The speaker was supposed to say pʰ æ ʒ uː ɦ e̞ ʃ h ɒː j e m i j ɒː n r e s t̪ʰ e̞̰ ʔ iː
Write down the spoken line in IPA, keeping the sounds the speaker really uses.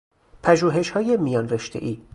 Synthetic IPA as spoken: pʰ æ ʒ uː ɦ e̞ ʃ h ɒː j e m i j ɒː n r e ʃ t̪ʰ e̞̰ ʔ iː